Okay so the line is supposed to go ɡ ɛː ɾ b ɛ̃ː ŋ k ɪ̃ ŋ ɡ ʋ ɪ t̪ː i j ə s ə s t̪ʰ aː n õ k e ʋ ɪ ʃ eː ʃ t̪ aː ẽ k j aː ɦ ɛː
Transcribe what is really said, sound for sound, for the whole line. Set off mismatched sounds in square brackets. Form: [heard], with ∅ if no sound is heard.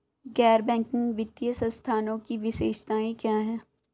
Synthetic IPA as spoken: ɡ ɛː ɾ b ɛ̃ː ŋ k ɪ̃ ŋ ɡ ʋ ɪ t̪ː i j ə s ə s t̪ʰ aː n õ k [i] ʋ ɪ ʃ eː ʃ t̪ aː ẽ k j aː ɦ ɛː